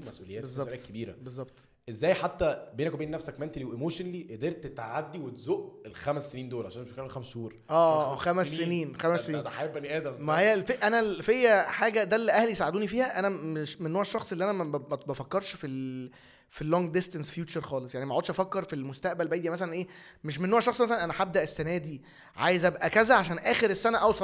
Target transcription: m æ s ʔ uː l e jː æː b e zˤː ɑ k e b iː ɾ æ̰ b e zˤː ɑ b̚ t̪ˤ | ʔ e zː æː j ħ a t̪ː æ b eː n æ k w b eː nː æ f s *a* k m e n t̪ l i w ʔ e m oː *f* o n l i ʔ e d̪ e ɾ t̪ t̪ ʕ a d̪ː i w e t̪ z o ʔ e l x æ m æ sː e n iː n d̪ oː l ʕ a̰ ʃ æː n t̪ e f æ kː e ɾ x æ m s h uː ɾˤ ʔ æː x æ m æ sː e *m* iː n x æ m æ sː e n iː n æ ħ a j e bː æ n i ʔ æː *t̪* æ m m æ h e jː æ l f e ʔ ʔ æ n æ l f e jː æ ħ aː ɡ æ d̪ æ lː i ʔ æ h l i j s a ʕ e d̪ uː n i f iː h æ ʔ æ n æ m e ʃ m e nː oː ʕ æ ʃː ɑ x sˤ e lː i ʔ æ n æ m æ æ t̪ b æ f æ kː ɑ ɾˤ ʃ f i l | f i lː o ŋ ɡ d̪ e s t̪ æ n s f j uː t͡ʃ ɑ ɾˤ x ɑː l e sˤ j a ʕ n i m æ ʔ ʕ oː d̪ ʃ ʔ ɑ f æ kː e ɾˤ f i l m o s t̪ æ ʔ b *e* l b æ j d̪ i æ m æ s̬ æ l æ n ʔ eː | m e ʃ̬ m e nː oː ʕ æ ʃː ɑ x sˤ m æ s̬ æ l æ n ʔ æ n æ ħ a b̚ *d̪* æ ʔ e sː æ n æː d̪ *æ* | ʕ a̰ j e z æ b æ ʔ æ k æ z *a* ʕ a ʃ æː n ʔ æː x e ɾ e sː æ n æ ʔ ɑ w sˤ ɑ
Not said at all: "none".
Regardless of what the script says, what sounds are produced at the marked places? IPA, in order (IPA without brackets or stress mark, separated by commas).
æ, ʃ, n, d̪, æ, d̪, i, æ